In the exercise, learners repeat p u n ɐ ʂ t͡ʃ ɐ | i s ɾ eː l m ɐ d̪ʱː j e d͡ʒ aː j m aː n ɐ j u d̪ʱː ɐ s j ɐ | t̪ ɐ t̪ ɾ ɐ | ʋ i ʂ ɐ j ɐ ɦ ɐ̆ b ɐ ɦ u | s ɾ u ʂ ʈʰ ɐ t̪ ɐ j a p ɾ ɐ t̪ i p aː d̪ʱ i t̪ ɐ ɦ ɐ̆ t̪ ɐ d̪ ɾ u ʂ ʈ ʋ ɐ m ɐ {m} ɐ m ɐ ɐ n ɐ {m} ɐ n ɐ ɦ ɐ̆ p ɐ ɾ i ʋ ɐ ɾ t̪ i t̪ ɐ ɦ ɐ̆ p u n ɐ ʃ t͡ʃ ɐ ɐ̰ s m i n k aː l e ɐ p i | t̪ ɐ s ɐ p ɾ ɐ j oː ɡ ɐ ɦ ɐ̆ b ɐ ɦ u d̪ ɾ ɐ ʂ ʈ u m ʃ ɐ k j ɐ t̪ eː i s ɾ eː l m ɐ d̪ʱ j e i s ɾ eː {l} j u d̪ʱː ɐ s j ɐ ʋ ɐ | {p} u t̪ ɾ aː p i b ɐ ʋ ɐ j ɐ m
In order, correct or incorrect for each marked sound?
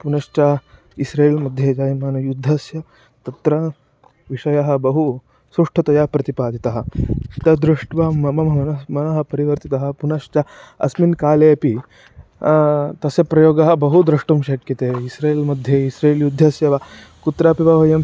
correct, correct, correct, incorrect: k

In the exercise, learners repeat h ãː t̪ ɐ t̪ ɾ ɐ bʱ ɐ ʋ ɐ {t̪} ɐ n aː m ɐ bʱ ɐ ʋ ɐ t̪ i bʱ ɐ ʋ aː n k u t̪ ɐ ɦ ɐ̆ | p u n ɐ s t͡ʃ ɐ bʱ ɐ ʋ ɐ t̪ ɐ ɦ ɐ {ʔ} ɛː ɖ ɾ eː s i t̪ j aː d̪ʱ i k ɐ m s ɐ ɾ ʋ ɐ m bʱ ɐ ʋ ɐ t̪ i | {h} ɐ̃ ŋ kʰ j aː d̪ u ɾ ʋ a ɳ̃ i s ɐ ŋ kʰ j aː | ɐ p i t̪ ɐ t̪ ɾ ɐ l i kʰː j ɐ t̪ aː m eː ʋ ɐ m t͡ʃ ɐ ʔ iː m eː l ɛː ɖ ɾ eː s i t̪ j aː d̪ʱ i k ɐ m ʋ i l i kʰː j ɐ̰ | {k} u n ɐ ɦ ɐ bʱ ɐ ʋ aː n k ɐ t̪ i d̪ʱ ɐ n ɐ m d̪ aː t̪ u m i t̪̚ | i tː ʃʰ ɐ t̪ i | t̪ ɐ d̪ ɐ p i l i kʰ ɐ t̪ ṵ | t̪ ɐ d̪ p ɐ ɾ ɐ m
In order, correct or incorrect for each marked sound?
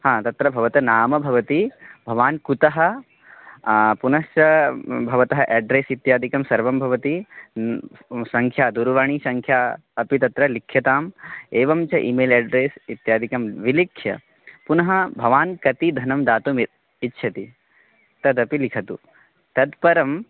correct, correct, incorrect: s, incorrect: p

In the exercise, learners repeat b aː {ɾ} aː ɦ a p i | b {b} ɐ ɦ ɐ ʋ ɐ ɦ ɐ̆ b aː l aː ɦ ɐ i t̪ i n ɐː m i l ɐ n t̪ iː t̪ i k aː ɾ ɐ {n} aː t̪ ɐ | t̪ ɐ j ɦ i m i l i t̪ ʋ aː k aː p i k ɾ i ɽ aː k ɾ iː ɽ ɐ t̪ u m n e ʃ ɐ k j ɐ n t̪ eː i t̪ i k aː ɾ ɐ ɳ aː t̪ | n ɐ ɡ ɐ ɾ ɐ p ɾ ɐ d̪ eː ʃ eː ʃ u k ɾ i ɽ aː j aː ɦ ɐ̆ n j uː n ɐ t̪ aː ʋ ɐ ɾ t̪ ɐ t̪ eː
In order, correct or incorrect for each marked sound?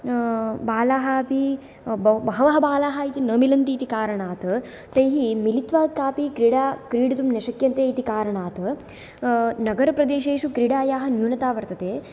incorrect: l, correct, incorrect: ɳ

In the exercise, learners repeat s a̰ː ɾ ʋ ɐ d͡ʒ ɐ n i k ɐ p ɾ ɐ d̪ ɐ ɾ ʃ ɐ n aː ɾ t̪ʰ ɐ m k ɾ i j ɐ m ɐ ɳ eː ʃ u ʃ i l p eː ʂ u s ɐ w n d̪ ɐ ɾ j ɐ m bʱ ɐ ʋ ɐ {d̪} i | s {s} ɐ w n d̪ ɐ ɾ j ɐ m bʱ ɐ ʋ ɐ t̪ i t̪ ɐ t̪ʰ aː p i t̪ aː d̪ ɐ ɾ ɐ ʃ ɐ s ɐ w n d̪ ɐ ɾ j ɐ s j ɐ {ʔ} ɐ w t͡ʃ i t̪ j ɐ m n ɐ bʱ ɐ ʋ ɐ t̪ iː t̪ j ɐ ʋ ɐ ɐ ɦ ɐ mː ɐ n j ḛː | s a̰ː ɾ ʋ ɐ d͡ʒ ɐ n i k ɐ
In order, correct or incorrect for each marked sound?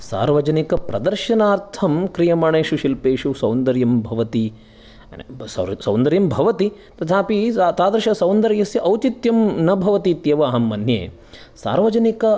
incorrect: t̪, correct, correct

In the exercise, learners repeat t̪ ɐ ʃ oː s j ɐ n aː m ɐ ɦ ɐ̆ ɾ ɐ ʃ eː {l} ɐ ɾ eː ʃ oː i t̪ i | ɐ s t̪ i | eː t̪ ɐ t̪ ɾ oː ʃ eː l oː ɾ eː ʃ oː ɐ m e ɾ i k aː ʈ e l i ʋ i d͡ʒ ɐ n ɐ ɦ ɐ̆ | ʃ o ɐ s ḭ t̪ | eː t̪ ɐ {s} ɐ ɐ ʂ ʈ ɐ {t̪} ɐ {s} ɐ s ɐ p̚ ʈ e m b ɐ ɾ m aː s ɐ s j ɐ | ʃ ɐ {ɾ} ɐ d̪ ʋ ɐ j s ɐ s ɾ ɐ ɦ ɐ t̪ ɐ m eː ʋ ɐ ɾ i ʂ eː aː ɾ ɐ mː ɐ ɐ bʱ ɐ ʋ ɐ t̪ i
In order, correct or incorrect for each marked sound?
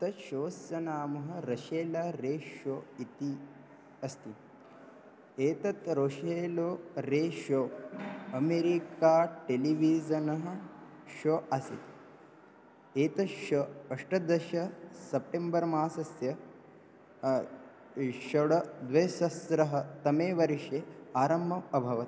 correct, incorrect: ʃ, incorrect: d̪, incorrect: ʃ, incorrect: ɽ

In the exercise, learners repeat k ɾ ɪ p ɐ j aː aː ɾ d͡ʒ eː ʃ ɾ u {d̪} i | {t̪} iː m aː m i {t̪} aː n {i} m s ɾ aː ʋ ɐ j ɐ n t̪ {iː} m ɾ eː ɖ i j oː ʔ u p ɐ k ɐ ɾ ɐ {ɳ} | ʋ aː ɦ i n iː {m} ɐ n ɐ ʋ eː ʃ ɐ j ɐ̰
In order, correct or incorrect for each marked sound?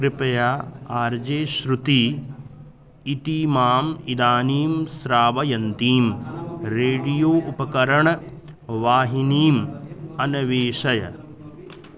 incorrect: t̪, correct, incorrect: d̪, incorrect: iː, correct, correct, correct

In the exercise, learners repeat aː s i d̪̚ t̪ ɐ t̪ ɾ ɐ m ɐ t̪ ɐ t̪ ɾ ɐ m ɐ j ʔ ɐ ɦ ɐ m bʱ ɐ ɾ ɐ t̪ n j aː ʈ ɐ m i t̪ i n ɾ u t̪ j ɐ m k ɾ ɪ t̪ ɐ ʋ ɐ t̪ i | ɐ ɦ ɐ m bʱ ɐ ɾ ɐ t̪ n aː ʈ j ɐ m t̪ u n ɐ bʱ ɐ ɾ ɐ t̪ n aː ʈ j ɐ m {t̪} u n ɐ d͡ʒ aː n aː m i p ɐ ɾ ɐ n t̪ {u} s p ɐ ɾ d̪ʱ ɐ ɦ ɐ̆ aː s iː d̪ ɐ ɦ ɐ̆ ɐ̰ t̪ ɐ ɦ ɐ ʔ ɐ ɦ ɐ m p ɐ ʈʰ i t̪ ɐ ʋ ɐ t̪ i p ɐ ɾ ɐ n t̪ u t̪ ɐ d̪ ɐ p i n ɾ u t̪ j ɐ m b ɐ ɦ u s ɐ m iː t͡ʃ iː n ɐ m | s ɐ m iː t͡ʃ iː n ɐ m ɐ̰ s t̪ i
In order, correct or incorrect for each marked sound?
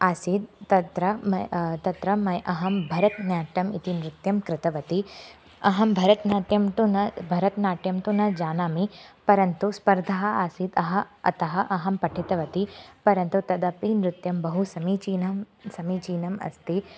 correct, correct

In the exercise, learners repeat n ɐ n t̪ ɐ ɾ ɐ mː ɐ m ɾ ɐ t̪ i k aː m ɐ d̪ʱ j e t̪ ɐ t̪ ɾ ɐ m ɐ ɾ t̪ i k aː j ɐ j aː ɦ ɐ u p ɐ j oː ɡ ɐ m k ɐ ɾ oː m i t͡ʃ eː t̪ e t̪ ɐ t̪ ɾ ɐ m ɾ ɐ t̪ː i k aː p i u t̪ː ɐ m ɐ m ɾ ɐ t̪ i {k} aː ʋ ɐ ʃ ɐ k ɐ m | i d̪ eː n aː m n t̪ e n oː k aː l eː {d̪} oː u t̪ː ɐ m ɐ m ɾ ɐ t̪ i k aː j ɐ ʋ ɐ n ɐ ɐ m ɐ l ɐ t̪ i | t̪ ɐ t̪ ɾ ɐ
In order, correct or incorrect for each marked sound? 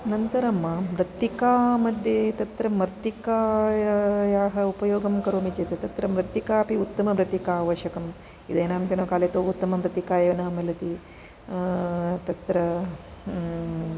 correct, incorrect: t̪

